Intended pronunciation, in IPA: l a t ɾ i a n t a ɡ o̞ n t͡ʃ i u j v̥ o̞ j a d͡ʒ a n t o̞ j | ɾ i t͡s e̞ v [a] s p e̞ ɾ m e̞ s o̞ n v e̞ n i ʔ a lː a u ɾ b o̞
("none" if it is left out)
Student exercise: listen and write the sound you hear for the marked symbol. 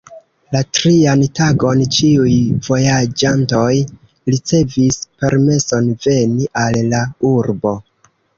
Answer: i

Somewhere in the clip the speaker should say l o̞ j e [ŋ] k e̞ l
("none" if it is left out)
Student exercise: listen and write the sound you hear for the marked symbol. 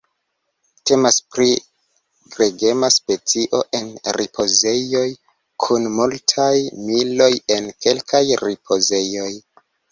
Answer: n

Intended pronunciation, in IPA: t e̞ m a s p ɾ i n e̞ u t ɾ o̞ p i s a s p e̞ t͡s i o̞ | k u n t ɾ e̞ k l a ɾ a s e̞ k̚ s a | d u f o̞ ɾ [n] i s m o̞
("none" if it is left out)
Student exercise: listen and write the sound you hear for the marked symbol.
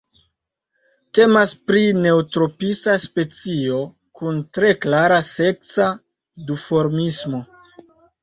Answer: m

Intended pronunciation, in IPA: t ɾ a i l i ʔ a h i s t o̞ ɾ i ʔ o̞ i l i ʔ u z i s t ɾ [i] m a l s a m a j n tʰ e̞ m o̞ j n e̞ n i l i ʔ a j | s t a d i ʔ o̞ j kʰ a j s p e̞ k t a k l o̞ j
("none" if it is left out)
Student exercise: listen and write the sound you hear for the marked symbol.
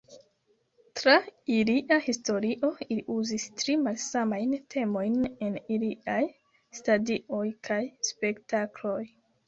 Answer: i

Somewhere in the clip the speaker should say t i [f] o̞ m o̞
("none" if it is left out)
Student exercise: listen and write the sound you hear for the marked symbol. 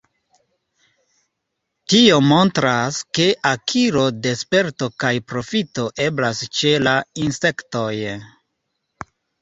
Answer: none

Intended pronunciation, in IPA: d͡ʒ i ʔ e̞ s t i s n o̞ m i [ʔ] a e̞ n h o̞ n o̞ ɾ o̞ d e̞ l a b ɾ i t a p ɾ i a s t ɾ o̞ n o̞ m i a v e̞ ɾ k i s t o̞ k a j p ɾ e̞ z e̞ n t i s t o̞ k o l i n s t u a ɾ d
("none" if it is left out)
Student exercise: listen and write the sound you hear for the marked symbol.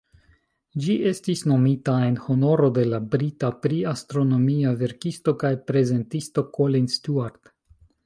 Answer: t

